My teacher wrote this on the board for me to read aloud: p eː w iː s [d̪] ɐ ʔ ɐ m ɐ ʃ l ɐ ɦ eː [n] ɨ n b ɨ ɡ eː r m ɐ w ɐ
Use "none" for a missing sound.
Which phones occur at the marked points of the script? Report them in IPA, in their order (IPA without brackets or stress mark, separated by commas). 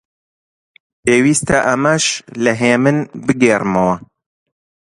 t̪, m